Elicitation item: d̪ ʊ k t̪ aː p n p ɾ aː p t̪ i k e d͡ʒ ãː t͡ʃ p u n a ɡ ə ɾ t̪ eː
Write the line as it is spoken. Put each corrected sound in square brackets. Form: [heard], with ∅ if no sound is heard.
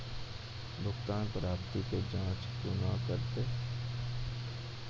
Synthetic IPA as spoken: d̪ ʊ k t̪ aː [∅] n p ɾ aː p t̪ i k e d͡ʒ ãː t͡ʃ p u n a [k] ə ɾ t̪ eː

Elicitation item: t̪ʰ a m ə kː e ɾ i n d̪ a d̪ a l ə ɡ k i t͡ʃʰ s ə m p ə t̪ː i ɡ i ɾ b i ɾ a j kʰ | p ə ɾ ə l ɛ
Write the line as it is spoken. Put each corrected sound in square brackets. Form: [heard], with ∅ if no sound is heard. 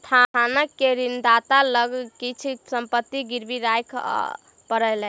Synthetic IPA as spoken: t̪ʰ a [n] ə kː e ɾ i n d̪ a [t̪] a l ə ɡ k i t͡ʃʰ s ə m p ə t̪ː i ɡ i ɾ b i ɾ a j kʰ | p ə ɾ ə l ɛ

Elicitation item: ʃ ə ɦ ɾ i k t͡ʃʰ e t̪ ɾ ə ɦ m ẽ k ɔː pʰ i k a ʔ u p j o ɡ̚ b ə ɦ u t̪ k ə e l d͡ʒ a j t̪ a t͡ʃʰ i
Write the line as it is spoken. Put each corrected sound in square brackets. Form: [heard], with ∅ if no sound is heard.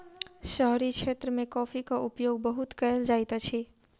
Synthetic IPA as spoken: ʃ ə ɦ ɾ i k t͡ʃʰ e t̪ ɾ ə [∅] m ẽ k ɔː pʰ i k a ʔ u p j o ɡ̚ b ə ɦ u t̪ k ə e l d͡ʒ a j t̪ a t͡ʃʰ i

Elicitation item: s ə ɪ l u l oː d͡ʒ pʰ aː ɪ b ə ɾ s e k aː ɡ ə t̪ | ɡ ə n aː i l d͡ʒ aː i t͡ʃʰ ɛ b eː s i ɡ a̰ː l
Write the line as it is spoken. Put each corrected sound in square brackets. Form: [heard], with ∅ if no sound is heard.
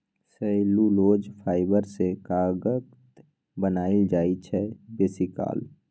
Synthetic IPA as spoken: s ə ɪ l u l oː d͡ʒ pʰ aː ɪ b ə ɾ s e k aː ɡ ə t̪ | [b] ə n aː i l d͡ʒ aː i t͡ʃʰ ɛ b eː s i [k] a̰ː l

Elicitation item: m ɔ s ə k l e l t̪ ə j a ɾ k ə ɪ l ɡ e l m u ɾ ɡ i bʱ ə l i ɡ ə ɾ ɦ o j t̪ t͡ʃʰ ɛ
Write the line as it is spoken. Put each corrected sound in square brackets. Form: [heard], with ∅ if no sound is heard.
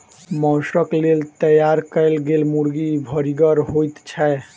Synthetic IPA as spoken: m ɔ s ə k l e l t̪ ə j a ɾ k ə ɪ l ɡ e l m u ɾ ɡ i bʱ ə [ɾ] i ɡ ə ɾ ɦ o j t̪ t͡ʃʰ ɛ

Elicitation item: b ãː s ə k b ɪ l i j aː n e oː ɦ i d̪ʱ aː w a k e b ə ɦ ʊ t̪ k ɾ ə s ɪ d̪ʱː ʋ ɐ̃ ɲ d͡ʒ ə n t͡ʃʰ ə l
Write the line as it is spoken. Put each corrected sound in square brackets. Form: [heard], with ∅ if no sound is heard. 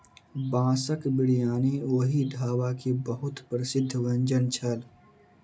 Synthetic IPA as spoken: b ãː s ə k b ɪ [ɽ] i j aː n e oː ɦ i d̪ʱ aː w a k e b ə ɦ ʊ t̪ [p] ɾ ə s ɪ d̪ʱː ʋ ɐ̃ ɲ d͡ʒ ə n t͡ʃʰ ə l

